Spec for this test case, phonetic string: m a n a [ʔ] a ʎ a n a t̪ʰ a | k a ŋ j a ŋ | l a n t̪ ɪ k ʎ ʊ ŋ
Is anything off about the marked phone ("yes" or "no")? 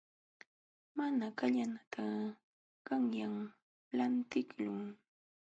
yes